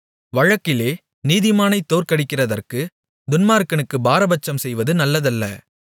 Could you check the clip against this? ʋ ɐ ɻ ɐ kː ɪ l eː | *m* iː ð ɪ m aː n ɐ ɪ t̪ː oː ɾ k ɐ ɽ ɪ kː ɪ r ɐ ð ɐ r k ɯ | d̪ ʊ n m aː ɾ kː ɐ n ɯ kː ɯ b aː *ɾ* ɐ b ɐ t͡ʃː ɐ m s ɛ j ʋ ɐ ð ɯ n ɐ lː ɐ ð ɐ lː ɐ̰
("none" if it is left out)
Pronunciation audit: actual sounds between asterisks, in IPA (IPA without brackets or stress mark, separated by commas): n, ɾ